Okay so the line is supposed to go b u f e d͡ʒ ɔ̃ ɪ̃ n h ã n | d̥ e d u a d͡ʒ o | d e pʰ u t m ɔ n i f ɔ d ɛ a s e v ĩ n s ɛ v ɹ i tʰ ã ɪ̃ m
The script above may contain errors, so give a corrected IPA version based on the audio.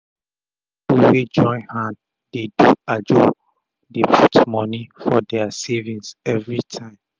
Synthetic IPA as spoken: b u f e d͡ʒ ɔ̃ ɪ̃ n h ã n | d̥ e d u a d͡ʒ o | d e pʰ u t m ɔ n i f ɔ d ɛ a s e v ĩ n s ɛ v ɹ i tʰ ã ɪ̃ m